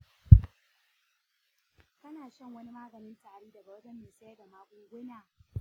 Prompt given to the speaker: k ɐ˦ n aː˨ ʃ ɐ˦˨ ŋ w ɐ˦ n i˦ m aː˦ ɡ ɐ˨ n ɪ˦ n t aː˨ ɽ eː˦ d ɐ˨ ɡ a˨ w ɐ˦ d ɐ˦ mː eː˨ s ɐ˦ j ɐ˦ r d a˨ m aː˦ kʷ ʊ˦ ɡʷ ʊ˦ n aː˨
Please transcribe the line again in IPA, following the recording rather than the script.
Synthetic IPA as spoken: k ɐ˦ n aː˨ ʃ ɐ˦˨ ŋ w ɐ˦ n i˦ m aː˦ ɡ ɐ˨ n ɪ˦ n t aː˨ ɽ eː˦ d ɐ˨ ɡ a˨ w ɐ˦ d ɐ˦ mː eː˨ s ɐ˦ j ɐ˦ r d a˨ m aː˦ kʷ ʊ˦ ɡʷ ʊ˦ n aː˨